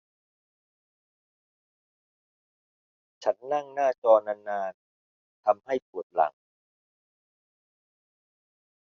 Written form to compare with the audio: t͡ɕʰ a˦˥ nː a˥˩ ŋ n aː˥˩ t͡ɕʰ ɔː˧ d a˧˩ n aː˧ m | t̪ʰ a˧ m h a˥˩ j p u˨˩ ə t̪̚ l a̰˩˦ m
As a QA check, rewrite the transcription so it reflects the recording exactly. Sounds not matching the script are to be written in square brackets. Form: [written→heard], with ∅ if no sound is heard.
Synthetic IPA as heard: t͡ɕʰ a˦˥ nː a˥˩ ŋ n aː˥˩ [t͡ɕʰ→t͡ɕ] ɔː˧ [d→n] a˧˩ n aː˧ [m→n] | t̪ʰ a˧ m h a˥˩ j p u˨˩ ə t̪̚ l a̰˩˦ [m→ŋ]